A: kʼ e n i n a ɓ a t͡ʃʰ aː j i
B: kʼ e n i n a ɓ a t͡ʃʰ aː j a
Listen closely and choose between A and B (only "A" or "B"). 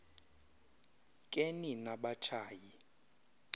A